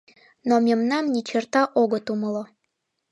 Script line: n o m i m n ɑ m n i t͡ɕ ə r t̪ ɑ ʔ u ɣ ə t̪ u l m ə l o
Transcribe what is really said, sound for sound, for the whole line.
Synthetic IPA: n o m e m n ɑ m n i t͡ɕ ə r t̪ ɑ ʔ o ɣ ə t̪ u m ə l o